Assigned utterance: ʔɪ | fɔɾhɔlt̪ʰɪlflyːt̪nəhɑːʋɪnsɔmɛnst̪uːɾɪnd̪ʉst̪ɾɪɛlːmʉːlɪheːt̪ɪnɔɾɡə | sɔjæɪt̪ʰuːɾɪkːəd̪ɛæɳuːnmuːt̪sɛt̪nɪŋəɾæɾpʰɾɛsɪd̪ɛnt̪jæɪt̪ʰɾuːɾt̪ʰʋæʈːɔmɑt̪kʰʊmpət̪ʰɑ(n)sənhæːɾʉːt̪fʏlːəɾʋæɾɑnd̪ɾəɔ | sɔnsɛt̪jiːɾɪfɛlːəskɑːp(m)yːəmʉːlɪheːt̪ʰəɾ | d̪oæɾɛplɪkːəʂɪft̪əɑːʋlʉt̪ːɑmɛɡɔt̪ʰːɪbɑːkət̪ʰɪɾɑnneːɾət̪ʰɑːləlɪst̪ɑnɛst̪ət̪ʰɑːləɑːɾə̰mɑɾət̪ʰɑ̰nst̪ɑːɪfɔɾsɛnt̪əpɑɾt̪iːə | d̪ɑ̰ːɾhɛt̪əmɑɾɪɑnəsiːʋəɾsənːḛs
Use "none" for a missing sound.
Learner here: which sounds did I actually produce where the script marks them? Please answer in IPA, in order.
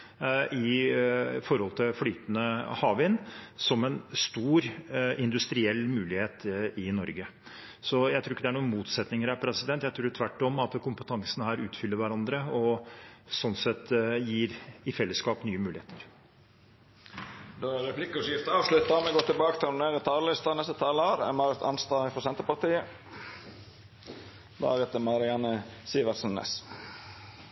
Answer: ŋ, n

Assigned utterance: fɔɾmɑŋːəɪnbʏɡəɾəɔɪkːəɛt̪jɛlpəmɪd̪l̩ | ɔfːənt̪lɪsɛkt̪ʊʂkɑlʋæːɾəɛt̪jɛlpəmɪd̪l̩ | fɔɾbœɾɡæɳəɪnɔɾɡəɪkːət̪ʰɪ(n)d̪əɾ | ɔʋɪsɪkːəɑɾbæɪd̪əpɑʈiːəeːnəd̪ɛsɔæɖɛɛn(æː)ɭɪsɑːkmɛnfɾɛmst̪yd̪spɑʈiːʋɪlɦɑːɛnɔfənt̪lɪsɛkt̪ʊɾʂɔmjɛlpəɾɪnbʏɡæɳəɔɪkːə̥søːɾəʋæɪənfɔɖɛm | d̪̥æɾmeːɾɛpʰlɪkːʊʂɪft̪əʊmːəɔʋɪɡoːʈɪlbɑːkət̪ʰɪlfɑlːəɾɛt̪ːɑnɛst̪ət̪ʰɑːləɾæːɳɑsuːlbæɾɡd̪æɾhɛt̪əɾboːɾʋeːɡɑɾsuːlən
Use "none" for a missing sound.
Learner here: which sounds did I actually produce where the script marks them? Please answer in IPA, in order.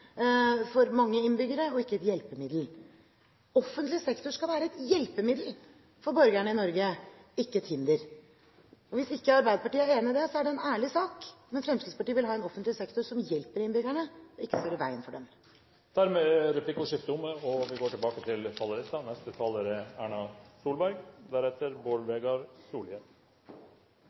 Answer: n, æː

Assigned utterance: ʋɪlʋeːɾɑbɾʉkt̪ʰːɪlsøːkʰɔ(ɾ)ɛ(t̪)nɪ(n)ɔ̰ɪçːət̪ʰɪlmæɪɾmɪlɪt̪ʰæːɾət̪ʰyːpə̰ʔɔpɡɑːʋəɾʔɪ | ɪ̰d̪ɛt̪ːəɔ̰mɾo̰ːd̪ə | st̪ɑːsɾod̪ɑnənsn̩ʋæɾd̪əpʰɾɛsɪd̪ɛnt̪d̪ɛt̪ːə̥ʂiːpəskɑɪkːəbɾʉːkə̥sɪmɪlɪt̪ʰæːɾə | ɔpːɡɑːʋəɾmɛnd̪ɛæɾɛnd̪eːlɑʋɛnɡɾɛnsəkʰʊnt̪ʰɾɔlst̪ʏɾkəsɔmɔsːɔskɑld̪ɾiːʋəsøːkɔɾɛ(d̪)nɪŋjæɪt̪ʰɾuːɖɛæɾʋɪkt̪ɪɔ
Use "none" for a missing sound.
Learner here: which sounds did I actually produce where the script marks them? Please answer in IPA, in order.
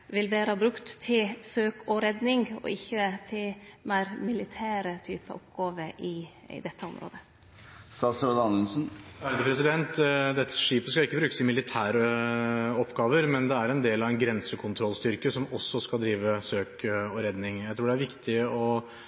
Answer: ɾ, d̪, ŋ, d̪

